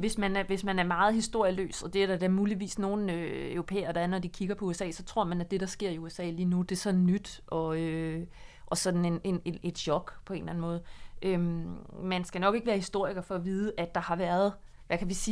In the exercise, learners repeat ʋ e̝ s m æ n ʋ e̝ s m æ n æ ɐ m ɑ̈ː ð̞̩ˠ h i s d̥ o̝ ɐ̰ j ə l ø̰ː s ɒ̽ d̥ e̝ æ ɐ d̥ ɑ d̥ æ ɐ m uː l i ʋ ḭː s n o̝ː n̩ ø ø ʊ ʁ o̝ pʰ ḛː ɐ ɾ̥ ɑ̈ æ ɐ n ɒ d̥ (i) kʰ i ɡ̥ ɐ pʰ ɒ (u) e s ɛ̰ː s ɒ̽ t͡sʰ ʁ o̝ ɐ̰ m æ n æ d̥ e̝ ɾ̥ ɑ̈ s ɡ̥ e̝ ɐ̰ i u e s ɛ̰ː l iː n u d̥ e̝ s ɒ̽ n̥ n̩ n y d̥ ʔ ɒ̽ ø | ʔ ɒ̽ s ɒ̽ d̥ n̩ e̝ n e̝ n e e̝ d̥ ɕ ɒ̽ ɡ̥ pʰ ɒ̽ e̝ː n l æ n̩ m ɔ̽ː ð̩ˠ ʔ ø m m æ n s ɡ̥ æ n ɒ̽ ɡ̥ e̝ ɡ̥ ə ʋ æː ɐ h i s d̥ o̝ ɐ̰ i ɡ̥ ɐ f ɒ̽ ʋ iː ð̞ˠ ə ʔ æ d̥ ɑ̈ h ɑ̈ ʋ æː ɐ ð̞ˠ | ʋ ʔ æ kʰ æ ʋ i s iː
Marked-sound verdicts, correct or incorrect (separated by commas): correct, correct